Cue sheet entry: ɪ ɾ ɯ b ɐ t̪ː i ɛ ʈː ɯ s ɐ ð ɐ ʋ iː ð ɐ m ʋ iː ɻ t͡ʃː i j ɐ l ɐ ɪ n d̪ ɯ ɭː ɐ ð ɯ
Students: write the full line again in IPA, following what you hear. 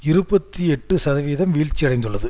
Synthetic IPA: ɪ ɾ ɯ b ɐ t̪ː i ɛ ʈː ɯ s ɐ ð ɐ ʋ iː ð ɐ m ʋ iː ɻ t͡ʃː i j ɐ ɽ ɐ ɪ n d̪ ɯ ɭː ɐ ð ɯ